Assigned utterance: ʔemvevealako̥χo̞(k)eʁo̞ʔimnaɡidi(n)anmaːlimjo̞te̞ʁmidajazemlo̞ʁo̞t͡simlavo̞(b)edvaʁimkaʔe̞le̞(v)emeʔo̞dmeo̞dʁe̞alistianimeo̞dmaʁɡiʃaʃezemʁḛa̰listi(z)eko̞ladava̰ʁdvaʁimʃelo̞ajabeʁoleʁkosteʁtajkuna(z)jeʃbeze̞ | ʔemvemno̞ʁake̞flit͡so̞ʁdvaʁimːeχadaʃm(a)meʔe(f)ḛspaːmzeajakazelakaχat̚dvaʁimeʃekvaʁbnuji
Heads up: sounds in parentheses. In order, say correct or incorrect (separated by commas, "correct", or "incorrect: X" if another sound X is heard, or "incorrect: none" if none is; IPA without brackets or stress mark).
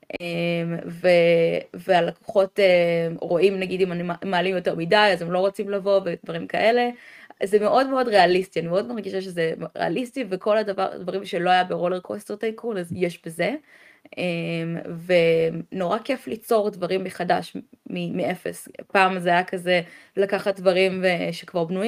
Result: incorrect: t, incorrect: m, incorrect: v, incorrect: z, incorrect: v, correct, incorrect: i, correct